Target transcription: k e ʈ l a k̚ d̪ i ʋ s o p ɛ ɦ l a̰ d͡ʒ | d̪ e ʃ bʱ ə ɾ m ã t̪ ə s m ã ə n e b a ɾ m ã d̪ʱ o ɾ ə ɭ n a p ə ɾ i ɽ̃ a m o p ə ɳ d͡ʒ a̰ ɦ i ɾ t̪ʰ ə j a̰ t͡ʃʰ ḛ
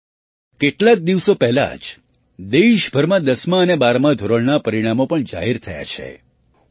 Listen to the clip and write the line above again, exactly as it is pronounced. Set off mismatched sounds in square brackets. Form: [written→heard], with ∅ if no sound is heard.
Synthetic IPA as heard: k e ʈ l a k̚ d̪ i ʋ s o p ɛ ɦ l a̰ d͡ʒ | d̪ e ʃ bʱ ə ɾ m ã [t̪→d̪] ə s m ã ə n e b a ɾ m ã d̪ʱ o ɾ ə ɭ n a p ə ɾ i ɽ̃ a m o p ə ɳ d͡ʒ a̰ ɦ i ɾ t̪ʰ ə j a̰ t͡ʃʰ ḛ